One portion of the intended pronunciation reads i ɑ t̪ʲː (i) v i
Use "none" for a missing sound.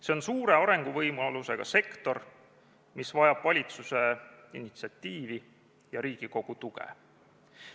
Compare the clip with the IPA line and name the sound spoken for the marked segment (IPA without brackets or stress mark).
iː